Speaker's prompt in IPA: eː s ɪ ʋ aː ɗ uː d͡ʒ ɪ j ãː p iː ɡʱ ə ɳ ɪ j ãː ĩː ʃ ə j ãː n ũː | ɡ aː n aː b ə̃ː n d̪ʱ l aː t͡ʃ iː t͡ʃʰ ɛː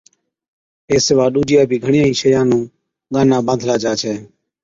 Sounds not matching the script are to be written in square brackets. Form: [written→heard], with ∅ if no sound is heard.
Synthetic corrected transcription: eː s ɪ ʋ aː ɗ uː d͡ʒ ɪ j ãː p iː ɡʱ ə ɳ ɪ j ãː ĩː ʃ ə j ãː n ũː | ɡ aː n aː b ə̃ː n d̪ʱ l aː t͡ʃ [iː→aː] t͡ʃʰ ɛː